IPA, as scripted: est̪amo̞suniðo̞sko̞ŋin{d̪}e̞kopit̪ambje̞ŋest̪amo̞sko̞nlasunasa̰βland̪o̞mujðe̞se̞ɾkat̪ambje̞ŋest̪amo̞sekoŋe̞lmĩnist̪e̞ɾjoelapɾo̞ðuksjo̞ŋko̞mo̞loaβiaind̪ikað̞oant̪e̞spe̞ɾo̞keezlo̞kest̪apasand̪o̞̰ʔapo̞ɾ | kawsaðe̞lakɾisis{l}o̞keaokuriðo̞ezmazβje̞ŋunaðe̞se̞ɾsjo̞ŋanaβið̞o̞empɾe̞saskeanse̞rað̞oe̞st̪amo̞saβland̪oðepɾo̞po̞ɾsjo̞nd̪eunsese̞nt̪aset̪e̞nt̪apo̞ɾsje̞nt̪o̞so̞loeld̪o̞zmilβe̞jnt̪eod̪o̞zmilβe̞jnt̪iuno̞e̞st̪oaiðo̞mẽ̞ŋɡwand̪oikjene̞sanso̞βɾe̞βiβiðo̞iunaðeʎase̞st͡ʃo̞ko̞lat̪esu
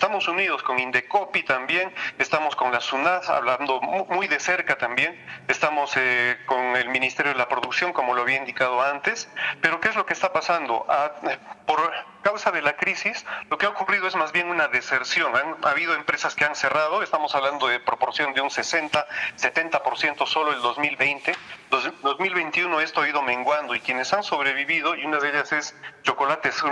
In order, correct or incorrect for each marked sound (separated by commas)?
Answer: correct, correct